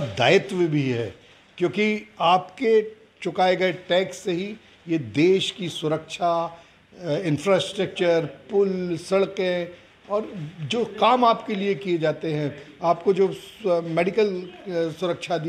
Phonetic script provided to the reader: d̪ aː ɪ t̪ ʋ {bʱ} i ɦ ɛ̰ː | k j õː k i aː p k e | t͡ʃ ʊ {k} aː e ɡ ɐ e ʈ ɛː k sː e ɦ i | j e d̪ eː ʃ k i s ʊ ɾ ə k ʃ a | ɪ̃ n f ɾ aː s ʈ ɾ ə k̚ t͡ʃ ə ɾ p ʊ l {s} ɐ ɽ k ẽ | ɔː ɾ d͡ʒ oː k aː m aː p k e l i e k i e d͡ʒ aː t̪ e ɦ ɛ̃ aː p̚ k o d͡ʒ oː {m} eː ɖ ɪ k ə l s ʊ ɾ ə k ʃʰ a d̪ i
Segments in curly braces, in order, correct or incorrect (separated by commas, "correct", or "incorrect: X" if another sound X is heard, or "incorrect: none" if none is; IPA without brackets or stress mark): correct, correct, correct, correct